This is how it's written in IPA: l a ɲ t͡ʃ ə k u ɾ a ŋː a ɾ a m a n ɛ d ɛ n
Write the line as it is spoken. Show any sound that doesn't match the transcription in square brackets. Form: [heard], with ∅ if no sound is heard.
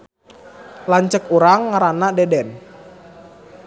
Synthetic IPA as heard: l a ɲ t͡ʃ ə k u ɾ a ŋː a ɾ a [n] a [d] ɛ d ɛ n